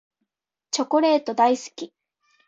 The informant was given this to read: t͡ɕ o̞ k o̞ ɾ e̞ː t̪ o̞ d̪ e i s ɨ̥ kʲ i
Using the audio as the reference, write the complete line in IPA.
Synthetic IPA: t͡ɕ o̞ k o̞ ɾ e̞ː t̪ o̞ d̪ a i s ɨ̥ kʲ i